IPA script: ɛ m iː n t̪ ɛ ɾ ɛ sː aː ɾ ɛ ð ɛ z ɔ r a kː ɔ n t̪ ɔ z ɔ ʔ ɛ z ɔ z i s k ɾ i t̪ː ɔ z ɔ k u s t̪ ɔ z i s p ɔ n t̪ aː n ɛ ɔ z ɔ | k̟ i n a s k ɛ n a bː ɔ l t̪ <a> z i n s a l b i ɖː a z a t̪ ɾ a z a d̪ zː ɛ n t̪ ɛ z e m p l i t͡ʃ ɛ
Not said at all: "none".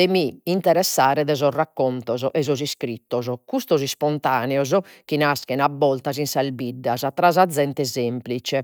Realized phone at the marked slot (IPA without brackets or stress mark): a